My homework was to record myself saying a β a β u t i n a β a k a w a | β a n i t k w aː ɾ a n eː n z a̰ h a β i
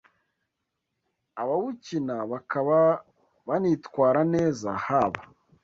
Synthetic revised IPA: a β a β u c i n a β a k a β a | β a n i t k w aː ɾ a n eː z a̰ h a β a

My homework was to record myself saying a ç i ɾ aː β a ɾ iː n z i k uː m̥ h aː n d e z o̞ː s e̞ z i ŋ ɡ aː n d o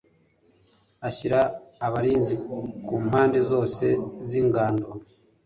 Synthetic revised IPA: a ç i ɾ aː β a ɾ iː n z i k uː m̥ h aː n d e z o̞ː s e̞ z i ŋ ɡ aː n d o

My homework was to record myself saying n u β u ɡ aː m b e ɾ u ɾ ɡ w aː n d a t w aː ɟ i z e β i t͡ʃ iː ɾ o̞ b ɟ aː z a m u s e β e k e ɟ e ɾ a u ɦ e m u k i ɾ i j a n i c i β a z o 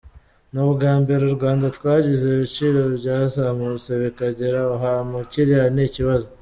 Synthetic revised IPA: n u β u ɡ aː m b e ɾ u ɾ ɡ w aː n d a t w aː ɟ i z e β i t͡ʃ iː ɾ o̞ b ɟ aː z a m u s e β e k a ɟ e ɾ a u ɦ a m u c i ɾ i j a n i c i β a z o

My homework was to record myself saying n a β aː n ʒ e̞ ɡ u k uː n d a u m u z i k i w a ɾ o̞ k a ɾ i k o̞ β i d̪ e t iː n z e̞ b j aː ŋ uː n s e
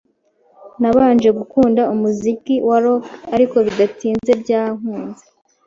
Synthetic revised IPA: n a β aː n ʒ e̞ ɡ u k uː n d a u m u z i k i w a ɾ o̞ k a ɾ i k o̞ β i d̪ a t iː n z e̞ b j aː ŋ uː n z e

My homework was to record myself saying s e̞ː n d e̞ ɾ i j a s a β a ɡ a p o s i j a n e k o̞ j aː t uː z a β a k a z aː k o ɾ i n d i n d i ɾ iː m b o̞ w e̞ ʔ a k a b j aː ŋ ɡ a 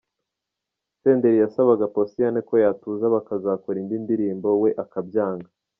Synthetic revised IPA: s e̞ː n d e̞ ɾ i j a s a β a ɡ a p o s i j a n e k o̞ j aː t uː z a β a k a z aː k o ɾ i n d i n d i ɾ iː m b o̞ w e̞ ʔ a k a b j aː ŋ ɡ a

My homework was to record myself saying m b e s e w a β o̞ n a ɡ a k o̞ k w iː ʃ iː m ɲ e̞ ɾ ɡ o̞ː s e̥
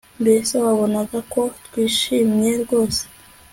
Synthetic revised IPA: m b e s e w a β o̞ n a ɡ a k o̞ t w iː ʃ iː m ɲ e̞ ɾ ɡ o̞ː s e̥

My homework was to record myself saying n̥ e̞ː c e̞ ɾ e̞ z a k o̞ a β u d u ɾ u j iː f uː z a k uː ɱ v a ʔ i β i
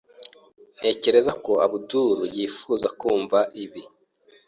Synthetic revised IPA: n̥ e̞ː c e̞ ɾ e̞ z a k o̞ a β u d u ɾ u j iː f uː z a k uː ɱ v a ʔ i β i

